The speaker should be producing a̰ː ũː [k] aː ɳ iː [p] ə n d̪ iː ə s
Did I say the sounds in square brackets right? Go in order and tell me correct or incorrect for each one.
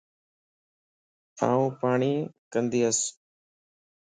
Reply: incorrect: p, incorrect: k

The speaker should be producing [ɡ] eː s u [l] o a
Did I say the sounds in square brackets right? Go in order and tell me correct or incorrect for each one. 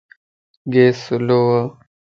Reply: correct, correct

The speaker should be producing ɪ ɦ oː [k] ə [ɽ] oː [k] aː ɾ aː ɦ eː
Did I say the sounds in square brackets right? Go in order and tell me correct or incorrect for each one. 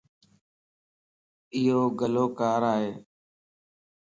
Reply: incorrect: ɡ, incorrect: l, correct

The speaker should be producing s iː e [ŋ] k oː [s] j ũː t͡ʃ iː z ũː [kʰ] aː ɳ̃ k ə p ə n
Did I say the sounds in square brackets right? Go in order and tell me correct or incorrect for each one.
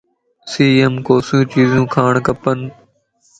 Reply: incorrect: m, correct, correct

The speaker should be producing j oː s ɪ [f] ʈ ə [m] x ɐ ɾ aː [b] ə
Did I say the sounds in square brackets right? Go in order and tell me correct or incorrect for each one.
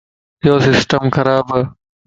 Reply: incorrect: s, correct, correct

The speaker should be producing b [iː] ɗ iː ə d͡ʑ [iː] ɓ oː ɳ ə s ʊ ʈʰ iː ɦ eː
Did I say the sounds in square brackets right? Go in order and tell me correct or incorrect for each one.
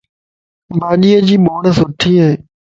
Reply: incorrect: aː, correct

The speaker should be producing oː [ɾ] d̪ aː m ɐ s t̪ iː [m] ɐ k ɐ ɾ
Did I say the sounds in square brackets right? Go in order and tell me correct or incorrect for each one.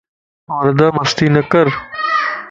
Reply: correct, incorrect: n

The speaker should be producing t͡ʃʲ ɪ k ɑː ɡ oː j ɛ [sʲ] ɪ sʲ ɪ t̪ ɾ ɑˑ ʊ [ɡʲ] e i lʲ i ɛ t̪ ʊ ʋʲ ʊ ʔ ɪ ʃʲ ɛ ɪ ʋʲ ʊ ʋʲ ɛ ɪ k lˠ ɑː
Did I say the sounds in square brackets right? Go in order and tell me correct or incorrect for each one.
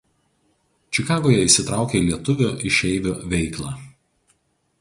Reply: incorrect: none, incorrect: kʲ

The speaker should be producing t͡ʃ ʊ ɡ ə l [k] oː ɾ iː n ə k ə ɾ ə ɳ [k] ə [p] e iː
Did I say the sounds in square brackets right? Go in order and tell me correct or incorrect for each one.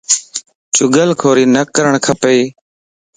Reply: incorrect: kʰ, incorrect: kʰ, correct

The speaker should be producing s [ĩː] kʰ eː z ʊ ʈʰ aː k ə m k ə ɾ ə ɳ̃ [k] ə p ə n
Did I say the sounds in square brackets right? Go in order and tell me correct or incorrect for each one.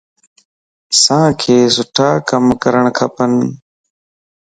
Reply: incorrect: ãː, incorrect: kʰ

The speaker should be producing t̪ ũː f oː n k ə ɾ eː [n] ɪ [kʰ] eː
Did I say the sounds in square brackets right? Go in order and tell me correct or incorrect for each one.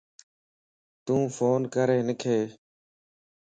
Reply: correct, correct

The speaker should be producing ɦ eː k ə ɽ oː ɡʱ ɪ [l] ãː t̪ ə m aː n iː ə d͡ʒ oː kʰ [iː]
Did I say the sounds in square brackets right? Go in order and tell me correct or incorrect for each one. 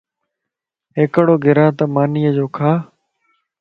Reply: incorrect: ɾ, incorrect: aː

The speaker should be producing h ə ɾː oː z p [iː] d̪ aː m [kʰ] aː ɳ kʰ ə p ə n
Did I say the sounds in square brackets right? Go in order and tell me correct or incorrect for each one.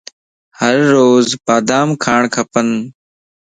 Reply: incorrect: aː, correct

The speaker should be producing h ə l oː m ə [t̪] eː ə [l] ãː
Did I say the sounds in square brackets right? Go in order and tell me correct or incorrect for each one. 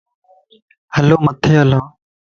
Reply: incorrect: t̪ʰ, correct

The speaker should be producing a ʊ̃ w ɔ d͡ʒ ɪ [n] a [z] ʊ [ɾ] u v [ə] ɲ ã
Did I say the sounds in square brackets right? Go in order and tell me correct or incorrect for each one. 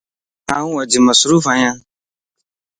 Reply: incorrect: m, incorrect: s, correct, incorrect: a

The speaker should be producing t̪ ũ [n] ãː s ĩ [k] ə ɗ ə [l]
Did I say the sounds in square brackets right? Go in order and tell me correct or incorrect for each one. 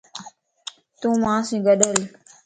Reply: incorrect: m, incorrect: ɡ, correct

